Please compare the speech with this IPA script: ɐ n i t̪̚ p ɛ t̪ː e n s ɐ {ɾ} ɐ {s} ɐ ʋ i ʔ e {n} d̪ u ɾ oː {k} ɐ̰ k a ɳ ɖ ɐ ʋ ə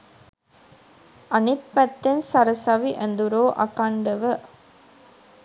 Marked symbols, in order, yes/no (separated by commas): yes, yes, yes, no